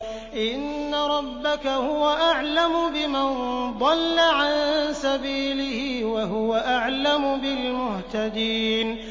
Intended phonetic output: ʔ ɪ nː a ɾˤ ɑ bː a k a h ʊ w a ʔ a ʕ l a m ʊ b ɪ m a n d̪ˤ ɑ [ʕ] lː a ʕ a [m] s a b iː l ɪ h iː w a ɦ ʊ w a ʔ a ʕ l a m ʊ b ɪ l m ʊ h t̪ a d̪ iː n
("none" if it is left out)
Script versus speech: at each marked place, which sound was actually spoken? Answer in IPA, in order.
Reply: none, n

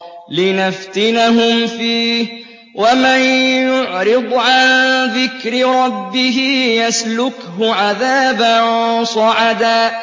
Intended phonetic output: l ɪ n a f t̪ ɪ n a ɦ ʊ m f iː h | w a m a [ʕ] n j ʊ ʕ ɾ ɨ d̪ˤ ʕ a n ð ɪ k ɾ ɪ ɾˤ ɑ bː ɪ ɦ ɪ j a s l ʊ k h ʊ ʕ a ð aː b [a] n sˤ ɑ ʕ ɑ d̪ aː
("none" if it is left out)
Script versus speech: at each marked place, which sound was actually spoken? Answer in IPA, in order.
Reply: none, a

